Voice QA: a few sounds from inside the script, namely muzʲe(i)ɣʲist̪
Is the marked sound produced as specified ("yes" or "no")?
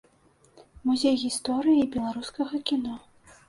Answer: no